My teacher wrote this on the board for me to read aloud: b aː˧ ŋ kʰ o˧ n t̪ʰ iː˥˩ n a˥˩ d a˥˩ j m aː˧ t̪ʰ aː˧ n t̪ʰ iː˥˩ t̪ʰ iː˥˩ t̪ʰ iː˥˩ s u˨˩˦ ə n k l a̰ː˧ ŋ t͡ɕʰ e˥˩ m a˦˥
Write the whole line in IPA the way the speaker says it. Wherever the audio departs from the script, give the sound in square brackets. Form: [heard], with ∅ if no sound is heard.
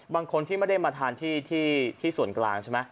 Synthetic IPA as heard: b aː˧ ŋ kʰ o˧ n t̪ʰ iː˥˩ [m] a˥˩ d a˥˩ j m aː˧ t̪ʰ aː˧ n t̪ʰ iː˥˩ t̪ʰ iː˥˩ t̪ʰ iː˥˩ s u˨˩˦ ə n k l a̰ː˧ ŋ t͡ɕʰ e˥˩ m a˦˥